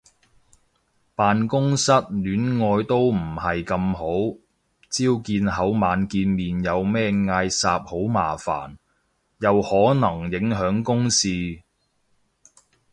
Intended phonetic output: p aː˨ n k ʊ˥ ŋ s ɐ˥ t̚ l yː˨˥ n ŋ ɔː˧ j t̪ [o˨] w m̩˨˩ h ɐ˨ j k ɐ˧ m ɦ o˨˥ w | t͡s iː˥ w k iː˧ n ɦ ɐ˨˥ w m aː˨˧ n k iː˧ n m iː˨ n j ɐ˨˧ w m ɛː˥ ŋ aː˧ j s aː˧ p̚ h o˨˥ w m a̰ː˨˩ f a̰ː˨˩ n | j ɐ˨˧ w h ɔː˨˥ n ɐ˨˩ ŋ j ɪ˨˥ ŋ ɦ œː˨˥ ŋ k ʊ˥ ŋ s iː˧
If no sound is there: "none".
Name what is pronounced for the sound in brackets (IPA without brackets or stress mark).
o˥